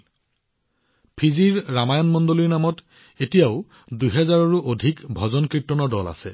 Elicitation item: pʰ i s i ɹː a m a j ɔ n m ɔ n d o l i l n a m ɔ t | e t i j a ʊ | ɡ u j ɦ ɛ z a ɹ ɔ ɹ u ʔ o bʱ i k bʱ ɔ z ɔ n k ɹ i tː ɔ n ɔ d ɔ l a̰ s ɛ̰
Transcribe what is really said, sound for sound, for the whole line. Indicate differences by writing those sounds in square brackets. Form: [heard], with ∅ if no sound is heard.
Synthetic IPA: pʰ i [z] i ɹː a m a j ɔ n m ɔ n d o l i [ɹ] n a m ɔ t | e t i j a ʊ | [d] u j ɦ ɛ z a ɹ ɔ ɹ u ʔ o [dʱ] i k bʱ ɔ z ɔ n k ɹ i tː ɔ n ɔ d ɔ l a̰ s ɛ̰